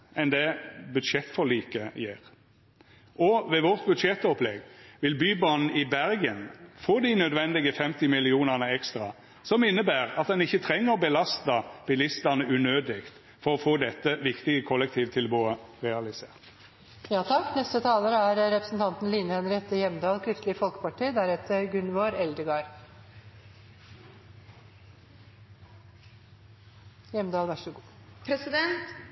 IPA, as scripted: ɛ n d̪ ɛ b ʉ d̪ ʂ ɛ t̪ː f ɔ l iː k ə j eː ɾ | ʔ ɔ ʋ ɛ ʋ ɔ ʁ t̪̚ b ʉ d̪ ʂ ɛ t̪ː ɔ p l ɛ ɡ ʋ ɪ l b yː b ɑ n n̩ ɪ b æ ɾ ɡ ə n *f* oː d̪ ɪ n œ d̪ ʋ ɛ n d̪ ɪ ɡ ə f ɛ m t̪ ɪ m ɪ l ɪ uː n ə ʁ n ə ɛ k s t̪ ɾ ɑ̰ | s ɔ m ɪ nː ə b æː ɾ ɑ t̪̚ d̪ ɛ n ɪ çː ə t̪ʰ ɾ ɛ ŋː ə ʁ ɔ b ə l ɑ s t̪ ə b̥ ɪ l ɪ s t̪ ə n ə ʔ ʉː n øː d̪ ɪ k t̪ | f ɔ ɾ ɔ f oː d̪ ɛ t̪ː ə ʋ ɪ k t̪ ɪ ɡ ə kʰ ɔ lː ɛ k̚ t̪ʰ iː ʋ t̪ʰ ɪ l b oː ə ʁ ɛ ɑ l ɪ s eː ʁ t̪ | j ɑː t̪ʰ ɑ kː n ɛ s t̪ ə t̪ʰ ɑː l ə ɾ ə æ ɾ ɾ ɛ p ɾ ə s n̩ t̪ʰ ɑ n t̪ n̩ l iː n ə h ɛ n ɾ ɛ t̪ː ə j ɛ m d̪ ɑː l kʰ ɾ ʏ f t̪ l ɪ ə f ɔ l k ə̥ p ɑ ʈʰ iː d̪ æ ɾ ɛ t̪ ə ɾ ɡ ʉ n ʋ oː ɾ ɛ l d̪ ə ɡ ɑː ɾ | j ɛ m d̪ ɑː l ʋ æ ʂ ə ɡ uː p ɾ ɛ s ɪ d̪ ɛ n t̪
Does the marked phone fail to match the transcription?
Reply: no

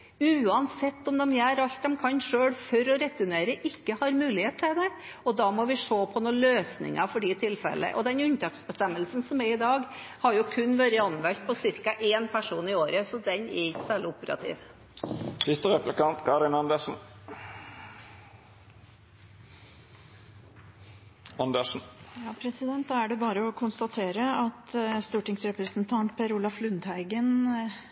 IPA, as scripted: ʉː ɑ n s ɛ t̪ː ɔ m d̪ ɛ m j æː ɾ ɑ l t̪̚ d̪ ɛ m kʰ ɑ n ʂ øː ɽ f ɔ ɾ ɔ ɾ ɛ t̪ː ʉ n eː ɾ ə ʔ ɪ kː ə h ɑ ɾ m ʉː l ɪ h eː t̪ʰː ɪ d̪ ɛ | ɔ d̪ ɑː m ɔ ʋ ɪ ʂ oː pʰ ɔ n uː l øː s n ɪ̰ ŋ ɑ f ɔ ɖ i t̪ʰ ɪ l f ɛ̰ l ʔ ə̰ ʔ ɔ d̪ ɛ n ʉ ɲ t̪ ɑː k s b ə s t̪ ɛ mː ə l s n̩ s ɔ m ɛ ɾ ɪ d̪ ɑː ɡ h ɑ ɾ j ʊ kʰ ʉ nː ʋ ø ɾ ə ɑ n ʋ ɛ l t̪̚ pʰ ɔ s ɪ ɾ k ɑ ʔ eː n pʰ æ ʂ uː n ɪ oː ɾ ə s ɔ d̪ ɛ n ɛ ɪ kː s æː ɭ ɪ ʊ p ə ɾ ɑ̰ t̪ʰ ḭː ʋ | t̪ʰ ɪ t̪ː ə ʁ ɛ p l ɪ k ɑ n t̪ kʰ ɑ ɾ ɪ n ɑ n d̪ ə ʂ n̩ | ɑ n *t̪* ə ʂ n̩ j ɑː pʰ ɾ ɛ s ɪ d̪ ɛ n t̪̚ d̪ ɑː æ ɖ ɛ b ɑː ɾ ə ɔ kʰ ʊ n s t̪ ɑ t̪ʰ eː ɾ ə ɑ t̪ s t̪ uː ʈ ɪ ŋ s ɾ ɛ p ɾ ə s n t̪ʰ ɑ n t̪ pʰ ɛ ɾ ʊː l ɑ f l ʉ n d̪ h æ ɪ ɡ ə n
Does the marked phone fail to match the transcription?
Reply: yes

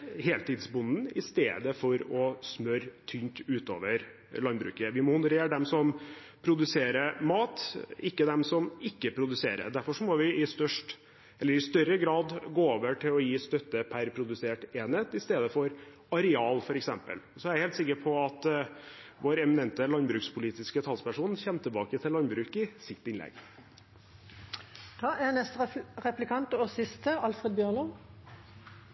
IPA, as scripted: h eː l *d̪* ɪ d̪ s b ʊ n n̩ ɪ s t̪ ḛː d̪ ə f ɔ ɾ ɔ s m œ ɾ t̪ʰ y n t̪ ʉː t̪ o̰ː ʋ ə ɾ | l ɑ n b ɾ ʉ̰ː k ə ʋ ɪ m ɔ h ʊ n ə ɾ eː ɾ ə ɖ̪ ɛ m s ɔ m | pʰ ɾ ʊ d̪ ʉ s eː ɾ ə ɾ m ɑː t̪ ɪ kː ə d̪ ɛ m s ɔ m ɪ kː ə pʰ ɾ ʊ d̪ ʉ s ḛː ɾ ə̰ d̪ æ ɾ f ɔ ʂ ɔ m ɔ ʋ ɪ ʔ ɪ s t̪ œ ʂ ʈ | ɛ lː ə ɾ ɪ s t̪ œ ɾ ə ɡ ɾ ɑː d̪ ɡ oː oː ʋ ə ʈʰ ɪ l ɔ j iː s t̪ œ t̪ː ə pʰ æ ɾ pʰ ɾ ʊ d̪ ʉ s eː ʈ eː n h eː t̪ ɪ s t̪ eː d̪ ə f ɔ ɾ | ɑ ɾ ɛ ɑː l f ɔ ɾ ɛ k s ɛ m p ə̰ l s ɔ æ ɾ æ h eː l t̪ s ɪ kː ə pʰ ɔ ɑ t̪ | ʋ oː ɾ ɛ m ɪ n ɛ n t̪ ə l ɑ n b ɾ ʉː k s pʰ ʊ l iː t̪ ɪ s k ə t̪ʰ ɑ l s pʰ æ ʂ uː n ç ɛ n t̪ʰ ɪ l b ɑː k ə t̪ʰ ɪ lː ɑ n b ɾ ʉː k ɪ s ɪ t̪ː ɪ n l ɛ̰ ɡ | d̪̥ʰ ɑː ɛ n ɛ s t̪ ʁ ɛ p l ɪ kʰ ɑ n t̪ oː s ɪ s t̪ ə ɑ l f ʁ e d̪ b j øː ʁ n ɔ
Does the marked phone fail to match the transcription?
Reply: yes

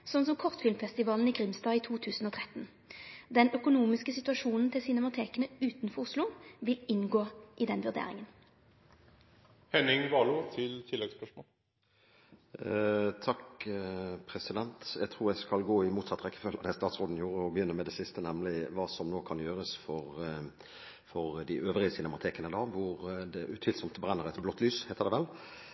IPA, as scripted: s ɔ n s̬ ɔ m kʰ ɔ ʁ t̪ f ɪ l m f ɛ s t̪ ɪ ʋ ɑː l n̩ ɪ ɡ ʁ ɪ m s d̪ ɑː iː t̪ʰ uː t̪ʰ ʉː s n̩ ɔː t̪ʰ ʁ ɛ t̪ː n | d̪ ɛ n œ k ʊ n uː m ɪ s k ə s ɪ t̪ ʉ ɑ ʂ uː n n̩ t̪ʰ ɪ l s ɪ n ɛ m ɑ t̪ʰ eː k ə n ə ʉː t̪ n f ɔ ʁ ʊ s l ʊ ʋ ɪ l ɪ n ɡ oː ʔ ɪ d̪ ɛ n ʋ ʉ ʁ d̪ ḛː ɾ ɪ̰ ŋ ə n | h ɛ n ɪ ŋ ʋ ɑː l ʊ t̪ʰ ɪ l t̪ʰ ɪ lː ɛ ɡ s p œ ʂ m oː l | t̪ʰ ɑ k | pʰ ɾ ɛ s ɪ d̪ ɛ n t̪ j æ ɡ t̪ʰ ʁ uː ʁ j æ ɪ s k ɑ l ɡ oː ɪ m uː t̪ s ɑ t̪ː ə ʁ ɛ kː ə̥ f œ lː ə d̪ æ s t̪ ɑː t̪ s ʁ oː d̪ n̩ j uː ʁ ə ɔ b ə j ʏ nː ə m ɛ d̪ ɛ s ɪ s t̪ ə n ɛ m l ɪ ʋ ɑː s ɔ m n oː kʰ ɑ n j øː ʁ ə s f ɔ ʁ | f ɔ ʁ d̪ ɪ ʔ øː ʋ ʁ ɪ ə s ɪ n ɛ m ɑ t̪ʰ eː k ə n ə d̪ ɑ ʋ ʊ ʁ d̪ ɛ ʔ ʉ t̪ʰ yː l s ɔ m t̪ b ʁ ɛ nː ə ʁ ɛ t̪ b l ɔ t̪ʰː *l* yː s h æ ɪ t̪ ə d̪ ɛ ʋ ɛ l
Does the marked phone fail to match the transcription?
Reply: no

